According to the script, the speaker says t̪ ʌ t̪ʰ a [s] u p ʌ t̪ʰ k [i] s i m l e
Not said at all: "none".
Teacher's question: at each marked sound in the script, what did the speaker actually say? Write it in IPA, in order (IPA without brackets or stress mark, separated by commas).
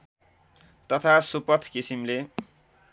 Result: s, i